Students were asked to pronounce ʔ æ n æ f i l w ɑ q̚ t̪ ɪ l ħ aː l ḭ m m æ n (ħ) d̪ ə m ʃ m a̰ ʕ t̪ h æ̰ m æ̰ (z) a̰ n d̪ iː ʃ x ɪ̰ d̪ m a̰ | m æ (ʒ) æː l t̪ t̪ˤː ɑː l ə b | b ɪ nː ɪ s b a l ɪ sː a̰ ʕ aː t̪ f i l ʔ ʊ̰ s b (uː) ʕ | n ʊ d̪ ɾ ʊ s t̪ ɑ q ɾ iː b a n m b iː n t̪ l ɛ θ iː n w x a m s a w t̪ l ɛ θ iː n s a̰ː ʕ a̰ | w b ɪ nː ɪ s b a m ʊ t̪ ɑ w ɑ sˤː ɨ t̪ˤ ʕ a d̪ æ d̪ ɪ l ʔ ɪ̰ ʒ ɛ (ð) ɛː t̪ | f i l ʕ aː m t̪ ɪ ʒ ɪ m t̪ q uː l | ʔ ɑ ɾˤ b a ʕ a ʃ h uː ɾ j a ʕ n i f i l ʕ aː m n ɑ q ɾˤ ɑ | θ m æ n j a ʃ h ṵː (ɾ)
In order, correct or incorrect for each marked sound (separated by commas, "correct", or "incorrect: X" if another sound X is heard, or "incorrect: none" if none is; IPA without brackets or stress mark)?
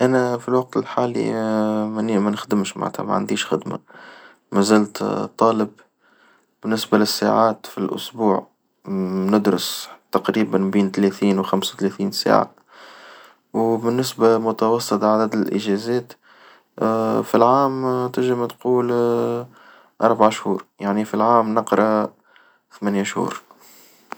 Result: incorrect: x, incorrect: ʕ, incorrect: z, correct, incorrect: z, correct